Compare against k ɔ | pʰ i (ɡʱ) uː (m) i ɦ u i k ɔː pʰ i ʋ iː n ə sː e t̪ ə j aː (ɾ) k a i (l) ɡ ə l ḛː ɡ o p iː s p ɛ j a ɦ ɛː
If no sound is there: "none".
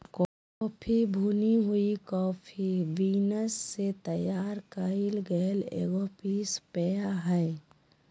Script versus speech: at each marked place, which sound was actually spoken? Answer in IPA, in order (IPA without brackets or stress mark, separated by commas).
bʱ, n, ɾ, l